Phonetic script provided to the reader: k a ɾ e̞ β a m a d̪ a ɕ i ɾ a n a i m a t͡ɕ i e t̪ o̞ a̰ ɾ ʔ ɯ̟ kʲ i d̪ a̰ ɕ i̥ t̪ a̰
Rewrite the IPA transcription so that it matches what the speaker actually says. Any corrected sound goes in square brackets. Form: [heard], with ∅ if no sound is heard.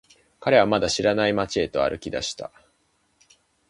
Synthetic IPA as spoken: k a ɾ e̞ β a m a d̪ a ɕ i ɾ a n a i m a t͡ɕ i e t̪ o̞ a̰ ɾ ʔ ɯ̟ kʲ i d̪ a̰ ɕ i̥ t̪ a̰